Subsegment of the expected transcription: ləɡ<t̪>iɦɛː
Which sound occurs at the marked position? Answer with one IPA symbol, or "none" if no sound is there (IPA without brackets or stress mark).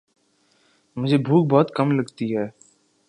t̪